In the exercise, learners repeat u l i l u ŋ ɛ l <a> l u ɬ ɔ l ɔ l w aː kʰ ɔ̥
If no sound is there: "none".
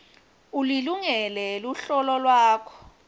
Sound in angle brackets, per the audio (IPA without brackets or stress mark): ɛ